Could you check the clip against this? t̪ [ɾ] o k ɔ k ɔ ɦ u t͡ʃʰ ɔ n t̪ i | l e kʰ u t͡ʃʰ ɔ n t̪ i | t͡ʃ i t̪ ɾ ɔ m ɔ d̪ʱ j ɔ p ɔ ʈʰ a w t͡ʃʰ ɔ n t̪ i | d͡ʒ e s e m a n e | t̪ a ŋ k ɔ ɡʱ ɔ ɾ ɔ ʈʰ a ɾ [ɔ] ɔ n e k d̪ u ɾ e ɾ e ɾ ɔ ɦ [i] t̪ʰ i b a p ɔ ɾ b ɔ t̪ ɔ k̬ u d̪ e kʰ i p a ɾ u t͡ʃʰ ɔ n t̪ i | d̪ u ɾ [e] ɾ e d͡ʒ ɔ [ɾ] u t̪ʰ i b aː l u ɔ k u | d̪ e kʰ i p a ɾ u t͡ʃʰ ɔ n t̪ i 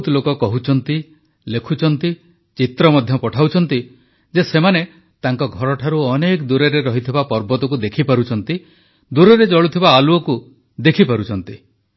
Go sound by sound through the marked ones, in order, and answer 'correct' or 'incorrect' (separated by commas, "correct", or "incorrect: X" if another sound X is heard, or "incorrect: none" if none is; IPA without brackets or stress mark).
incorrect: l, incorrect: u, correct, correct, incorrect: ɭ